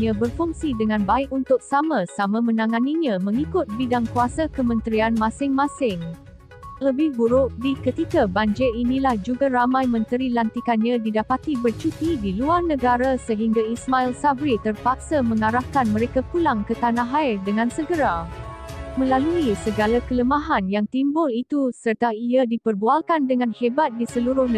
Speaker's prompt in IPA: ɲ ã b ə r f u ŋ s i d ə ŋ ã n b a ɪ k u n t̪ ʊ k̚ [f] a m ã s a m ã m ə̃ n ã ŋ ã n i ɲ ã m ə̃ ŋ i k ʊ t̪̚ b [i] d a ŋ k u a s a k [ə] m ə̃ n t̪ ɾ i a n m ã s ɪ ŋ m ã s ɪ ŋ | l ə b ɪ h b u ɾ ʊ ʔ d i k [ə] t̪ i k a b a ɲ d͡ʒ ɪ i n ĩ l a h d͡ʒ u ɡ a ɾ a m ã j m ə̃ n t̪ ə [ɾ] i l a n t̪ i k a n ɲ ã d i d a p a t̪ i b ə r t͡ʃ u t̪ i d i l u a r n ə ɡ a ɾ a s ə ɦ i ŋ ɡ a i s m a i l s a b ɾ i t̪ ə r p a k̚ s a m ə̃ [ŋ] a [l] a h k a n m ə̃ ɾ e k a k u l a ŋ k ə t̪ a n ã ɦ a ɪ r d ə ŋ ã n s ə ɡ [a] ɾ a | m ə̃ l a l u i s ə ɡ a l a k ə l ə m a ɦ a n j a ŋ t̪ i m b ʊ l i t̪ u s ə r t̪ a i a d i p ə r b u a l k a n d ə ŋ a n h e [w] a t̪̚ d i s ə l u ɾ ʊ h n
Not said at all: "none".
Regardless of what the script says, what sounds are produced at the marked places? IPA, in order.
s, i, ə, ə, ɾ, ŋ, ɾ, ə, b

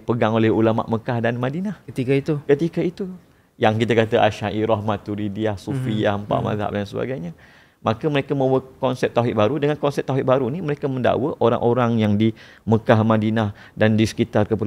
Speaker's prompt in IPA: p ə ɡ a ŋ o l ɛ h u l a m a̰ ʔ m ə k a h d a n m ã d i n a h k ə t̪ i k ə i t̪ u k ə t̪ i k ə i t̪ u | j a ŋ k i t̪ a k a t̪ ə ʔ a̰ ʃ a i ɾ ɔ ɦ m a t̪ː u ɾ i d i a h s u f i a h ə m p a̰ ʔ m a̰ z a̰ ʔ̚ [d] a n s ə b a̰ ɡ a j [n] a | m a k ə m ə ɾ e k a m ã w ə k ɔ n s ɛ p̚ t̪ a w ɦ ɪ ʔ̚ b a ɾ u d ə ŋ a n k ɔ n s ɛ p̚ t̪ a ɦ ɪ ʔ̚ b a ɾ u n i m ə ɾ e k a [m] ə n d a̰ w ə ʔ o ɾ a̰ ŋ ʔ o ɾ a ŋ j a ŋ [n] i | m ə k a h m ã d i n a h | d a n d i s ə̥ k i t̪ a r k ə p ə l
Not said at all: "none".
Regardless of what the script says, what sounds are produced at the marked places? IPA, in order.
d, ɲ, m, d

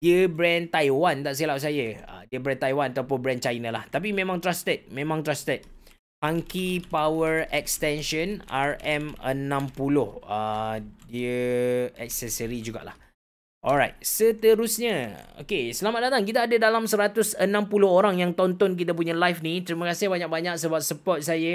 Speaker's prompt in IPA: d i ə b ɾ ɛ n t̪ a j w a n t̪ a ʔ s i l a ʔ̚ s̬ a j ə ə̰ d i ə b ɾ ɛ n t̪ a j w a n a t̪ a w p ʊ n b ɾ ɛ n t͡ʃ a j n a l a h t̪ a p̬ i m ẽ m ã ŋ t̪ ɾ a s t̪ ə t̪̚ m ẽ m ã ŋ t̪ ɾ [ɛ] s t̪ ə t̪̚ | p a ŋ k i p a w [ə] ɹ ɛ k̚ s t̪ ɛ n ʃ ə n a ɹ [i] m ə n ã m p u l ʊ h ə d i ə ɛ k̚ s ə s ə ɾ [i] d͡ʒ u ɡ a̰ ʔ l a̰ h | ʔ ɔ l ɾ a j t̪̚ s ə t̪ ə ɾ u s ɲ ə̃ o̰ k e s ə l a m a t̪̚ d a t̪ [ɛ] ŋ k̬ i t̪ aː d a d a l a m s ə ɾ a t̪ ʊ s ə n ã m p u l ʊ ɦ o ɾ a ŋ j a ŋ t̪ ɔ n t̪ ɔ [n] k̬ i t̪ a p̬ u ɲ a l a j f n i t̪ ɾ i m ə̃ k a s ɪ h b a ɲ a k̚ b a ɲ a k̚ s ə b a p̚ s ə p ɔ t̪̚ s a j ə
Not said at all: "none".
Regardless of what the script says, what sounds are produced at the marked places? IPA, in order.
a, ə, ɛ, i, a, n

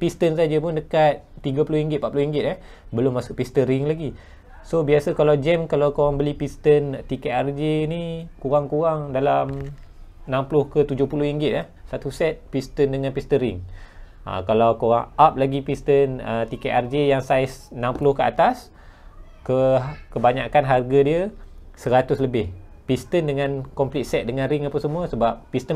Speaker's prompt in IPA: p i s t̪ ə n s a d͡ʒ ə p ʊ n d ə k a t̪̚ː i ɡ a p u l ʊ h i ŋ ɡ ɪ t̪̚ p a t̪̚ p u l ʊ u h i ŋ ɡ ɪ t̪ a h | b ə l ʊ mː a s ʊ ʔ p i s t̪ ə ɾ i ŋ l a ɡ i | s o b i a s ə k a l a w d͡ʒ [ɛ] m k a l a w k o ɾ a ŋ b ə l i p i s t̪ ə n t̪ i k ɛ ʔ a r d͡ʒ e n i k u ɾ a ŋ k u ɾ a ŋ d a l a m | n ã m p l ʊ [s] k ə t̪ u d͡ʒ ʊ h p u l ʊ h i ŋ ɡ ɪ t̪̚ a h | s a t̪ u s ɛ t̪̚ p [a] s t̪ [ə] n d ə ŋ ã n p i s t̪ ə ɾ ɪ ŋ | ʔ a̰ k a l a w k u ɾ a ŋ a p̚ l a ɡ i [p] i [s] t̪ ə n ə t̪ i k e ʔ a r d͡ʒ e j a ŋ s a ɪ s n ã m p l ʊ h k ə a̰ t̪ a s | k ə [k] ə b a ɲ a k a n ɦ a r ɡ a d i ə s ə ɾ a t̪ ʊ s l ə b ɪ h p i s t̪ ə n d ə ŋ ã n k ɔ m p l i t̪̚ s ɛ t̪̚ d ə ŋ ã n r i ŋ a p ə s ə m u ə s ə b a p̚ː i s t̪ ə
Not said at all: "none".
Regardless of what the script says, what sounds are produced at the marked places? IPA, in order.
ɛ, h, i, ə, p, s, k

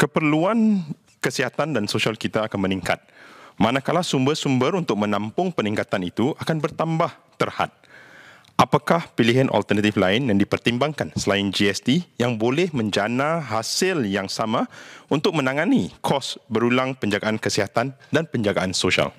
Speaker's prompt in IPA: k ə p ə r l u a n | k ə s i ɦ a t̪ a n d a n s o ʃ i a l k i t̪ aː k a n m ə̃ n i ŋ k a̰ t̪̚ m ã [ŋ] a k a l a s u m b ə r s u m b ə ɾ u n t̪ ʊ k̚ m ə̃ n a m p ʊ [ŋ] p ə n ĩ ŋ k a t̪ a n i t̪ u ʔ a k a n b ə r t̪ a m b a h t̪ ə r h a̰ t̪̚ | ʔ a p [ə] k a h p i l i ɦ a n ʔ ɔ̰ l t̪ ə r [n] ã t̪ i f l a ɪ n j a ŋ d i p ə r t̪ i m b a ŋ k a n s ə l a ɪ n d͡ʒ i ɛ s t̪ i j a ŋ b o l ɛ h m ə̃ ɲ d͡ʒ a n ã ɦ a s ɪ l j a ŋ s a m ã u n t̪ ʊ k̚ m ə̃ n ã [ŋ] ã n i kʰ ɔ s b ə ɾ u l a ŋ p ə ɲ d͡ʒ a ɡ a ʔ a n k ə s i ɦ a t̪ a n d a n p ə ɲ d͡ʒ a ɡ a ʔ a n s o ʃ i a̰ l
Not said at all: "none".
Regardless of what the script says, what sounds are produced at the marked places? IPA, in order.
n, ŋ, a, n, ŋ

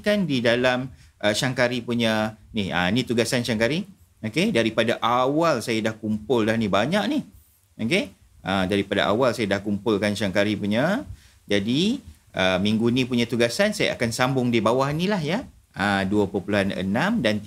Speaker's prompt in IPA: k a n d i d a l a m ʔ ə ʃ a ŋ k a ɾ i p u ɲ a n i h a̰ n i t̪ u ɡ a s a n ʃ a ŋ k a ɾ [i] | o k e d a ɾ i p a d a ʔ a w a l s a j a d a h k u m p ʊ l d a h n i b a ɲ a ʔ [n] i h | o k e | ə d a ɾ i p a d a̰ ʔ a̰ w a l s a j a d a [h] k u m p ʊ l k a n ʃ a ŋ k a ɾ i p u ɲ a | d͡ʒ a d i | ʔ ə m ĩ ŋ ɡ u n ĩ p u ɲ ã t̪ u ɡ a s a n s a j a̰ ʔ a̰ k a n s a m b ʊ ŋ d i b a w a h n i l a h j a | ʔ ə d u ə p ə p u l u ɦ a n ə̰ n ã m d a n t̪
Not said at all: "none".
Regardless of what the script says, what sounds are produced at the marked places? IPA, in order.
i, n, h

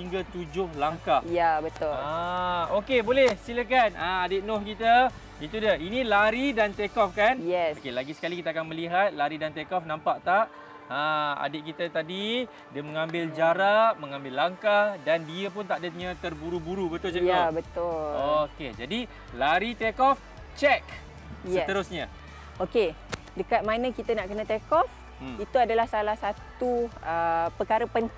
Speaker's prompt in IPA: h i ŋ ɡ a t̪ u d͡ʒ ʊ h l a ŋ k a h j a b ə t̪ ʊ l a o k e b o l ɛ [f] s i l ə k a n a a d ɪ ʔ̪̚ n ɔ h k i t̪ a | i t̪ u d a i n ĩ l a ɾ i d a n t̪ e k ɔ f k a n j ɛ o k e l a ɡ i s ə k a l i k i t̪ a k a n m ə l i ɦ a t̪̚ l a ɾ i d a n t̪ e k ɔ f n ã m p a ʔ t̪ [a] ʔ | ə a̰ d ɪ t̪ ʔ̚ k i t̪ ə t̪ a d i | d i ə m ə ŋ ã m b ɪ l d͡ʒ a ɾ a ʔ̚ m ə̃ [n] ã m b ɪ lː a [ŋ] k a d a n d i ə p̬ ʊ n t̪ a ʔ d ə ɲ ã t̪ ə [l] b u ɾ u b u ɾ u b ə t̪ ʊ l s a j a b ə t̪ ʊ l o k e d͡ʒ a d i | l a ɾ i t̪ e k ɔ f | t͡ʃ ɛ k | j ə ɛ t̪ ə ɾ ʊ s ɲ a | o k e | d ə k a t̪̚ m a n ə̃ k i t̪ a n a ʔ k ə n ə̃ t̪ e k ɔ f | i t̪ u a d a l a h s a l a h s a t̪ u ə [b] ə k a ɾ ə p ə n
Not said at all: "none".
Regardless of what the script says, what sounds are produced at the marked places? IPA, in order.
h, a, ŋ, ŋ, r, p

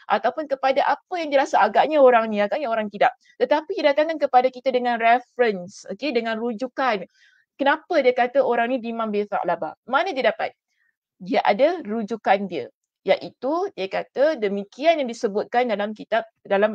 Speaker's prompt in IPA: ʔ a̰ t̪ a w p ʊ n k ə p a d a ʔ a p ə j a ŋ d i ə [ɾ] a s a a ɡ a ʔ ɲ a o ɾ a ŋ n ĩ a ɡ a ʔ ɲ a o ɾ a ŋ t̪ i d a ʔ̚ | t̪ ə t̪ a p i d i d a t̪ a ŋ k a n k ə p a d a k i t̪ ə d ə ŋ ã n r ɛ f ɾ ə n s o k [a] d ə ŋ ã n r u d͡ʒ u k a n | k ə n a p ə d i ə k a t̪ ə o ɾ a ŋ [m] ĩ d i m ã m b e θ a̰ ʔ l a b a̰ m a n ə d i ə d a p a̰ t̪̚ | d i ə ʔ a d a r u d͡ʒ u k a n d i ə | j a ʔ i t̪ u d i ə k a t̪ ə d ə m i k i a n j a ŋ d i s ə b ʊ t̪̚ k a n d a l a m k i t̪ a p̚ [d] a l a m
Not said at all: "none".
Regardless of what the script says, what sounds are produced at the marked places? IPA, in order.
ɾ, e, n, d

